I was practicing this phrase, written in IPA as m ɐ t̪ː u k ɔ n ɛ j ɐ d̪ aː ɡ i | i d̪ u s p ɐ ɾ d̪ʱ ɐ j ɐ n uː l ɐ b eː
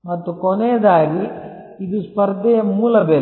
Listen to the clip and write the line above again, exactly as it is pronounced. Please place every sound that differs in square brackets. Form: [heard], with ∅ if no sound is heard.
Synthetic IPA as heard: m ɐ t̪ː u k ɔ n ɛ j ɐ d̪ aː ɡ i | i d̪ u s p ɐ ɾ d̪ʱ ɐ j ɐ [m] uː l ɐ b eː